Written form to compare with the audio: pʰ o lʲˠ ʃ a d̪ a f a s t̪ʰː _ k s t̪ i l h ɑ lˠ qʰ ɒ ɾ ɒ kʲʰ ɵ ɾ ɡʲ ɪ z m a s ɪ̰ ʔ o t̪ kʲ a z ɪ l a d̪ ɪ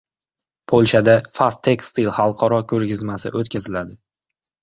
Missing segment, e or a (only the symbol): e